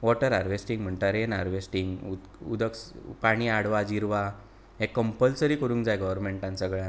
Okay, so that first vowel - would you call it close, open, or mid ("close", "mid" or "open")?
mid